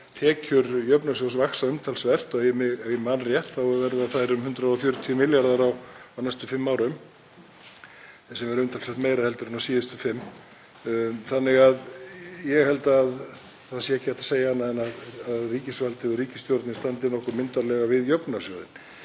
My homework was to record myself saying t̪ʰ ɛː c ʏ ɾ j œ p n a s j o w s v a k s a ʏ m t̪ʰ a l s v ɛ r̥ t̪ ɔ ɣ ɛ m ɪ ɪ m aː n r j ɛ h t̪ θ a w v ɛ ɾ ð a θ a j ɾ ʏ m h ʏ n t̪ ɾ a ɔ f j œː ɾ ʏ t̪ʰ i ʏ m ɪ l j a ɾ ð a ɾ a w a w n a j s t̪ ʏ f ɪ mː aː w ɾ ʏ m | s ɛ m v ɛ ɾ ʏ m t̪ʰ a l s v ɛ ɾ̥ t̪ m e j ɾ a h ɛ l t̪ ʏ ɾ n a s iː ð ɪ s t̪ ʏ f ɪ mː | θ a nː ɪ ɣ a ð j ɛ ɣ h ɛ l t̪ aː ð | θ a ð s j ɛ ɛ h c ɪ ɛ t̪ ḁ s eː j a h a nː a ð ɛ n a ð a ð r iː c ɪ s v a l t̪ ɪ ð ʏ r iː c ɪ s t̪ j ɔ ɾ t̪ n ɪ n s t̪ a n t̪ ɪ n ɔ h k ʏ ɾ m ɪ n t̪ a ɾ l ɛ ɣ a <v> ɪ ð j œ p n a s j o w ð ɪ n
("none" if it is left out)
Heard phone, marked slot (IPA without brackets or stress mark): v